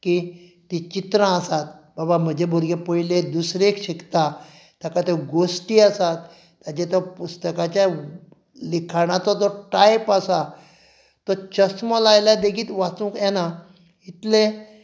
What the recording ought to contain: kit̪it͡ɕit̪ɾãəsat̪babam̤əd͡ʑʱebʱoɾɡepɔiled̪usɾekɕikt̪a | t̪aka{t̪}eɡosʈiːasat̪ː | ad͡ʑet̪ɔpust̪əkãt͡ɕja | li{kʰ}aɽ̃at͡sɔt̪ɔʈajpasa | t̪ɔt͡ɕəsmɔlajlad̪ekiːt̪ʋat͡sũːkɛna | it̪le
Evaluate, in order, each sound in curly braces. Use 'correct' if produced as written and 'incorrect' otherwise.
correct, correct

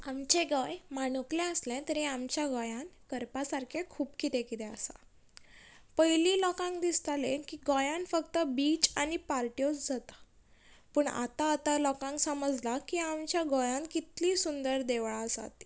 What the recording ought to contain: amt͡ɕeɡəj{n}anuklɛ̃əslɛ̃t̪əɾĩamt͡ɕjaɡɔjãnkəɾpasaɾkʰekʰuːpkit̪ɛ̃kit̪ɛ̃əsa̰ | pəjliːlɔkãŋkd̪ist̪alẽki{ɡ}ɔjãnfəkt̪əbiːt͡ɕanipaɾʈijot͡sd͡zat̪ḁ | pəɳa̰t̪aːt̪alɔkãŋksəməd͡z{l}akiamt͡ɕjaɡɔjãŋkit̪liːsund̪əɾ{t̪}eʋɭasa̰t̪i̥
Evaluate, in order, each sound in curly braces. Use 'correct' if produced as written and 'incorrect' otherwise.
incorrect, correct, correct, incorrect

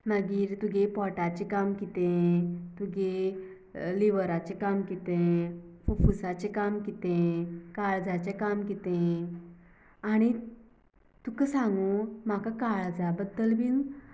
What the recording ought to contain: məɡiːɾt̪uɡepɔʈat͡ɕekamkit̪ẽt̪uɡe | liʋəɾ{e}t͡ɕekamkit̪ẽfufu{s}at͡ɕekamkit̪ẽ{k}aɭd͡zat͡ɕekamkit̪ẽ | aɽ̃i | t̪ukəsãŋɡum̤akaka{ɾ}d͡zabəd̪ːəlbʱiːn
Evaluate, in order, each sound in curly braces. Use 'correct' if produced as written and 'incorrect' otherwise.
incorrect, correct, correct, incorrect

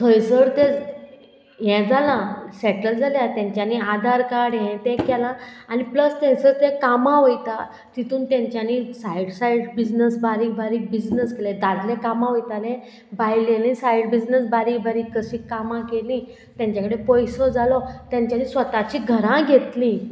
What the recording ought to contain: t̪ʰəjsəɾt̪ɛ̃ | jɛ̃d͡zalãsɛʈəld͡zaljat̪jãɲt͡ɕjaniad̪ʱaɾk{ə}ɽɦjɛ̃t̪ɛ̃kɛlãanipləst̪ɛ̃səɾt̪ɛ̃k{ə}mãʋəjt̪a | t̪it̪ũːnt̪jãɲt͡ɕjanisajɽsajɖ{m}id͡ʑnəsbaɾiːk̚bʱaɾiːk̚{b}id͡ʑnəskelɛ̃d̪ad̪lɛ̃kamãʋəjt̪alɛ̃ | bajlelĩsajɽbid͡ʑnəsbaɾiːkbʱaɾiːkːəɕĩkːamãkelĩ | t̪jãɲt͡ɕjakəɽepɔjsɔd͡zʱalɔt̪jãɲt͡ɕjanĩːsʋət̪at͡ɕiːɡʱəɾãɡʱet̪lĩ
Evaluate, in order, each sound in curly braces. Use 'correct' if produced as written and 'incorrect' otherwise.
incorrect, incorrect, incorrect, correct

